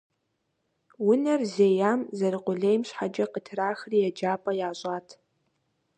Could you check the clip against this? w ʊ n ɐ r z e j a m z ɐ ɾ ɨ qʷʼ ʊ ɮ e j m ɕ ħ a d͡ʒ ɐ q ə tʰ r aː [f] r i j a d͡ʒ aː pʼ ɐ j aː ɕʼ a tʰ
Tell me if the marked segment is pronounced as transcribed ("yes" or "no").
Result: no